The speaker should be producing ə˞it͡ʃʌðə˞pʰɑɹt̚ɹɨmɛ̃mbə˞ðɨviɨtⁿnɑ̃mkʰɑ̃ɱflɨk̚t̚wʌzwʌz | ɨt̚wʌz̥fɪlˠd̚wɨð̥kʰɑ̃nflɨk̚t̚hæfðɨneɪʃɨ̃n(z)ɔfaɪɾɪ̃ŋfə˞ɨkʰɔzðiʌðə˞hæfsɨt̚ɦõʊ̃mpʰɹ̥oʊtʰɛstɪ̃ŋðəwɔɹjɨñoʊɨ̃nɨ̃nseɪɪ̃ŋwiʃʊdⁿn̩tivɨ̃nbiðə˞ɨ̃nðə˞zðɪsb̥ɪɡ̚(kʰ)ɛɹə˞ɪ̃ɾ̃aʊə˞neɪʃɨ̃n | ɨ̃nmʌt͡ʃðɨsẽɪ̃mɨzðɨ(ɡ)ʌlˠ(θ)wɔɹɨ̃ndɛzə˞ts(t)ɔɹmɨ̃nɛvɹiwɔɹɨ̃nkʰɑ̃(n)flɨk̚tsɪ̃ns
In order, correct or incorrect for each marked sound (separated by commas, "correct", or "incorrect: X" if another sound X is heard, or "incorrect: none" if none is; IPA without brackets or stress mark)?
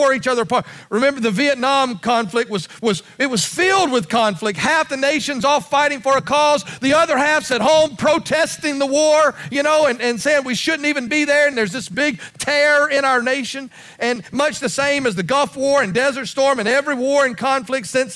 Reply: correct, incorrect: tʰ, correct, incorrect: f, correct, correct